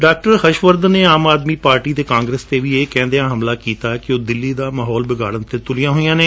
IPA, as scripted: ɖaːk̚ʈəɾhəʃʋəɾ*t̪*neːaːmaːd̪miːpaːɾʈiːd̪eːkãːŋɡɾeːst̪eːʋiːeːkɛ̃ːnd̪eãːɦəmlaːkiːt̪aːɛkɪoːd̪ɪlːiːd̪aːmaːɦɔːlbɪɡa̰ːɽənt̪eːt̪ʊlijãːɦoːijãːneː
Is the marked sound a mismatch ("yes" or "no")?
yes